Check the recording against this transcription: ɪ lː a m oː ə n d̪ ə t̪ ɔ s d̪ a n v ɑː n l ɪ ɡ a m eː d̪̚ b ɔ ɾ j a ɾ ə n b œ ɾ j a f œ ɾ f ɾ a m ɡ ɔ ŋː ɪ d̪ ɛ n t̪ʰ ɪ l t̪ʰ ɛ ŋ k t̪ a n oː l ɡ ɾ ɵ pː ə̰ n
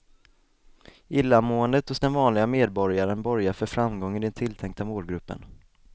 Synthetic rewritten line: ɪ lː a m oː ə n d̪ ə t̪ ɔ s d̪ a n v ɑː n l ɪ ɡ a m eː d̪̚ b ɔ ɾ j a ɾ ə n b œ ɾ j a f œ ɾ f ɾ a m ɡ ɔ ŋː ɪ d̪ ɛ n t̪ʰ ɪ l t̪ʰ ɛ ŋ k t̪ a m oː l ɡ ɾ ɵ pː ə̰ n